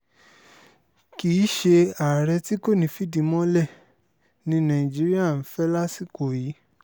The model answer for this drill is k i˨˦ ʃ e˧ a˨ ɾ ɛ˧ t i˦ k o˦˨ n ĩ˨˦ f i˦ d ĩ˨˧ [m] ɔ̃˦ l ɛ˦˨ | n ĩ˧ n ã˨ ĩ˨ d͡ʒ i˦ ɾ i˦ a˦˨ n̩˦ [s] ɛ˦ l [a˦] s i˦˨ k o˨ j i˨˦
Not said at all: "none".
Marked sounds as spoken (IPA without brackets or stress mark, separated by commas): m, f, a˦